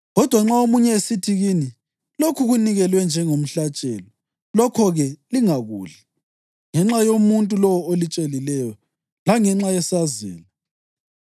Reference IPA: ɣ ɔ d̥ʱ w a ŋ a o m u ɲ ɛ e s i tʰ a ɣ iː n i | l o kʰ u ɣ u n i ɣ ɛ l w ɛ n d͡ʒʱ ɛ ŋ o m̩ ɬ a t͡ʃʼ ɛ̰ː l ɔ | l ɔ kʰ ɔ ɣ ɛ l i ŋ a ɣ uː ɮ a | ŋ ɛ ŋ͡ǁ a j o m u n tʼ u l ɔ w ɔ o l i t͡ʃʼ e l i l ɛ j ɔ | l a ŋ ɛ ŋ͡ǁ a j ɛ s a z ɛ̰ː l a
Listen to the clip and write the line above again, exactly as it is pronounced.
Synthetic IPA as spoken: ɣ ɔ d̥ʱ w a ŋ͡ǁ a o m u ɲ ɛ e s i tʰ i ɣ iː n i | l o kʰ u ɣ u n i ɣ ɛ l w ɛ n d͡ʒʱ ɛ ŋ o m̩ ɬ a t͡ʃʼ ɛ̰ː l ɔ | l ɔ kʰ ɔ ɣ ɛ l i ŋ a ɣ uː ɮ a | ŋ ɛ ŋ͡ǁ a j o m u n tʼ u l ɔ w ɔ o l i t͡ʃʼ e l i l ɛ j ɔ | l a ŋ ɛ ŋ͡ǁ a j ɛ s a z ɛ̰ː l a